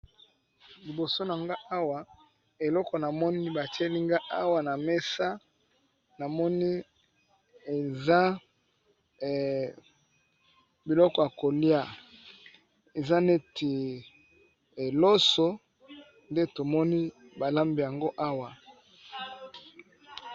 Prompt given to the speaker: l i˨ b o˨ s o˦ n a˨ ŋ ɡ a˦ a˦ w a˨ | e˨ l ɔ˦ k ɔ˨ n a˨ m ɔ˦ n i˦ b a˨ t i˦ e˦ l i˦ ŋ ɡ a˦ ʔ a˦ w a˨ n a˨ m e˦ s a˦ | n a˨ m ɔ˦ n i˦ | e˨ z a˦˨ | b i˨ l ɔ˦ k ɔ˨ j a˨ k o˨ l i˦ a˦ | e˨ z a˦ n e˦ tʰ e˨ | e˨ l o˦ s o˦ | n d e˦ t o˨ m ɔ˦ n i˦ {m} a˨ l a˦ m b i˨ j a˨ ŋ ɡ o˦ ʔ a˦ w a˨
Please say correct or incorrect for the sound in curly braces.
incorrect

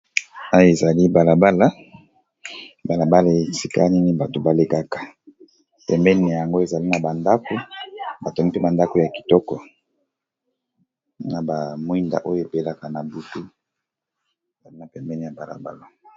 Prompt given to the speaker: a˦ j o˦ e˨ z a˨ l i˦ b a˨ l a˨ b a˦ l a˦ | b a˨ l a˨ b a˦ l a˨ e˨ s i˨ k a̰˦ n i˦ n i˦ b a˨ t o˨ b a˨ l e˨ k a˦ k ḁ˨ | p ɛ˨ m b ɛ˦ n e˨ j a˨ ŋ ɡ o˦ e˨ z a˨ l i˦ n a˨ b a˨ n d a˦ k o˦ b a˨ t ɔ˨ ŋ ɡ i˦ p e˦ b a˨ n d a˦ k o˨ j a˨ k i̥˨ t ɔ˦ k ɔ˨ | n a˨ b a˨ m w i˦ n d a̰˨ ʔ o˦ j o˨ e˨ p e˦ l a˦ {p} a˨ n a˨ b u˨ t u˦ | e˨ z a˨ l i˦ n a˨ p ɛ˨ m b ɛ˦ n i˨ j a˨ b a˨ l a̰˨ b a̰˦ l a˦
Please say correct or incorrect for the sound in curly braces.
incorrect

